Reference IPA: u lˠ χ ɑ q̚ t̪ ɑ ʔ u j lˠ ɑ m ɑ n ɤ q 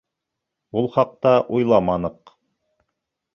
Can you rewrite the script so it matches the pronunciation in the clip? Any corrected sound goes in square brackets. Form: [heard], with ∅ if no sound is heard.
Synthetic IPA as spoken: u lˠ χ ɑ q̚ t̪ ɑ ʔ u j lˠ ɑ m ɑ n ɤ q